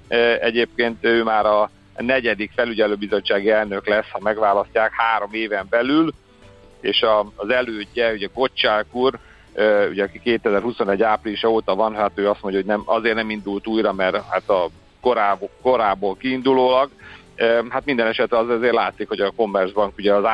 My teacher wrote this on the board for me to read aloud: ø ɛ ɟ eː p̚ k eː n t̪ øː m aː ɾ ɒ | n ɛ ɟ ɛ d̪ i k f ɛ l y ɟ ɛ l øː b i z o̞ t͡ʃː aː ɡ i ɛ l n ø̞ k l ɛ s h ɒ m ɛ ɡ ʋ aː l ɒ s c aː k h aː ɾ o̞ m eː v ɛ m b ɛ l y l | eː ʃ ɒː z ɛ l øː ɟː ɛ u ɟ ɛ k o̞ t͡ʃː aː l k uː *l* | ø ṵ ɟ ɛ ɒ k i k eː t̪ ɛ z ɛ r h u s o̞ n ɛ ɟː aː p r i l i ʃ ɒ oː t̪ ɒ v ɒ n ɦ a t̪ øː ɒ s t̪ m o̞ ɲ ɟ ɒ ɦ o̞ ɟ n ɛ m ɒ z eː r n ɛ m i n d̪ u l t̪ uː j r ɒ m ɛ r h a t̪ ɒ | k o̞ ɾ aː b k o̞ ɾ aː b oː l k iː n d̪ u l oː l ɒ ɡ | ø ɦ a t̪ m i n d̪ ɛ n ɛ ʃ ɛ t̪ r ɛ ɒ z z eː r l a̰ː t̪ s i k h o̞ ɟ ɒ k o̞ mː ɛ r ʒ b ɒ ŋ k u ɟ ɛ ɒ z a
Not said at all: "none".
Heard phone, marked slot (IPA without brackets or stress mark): r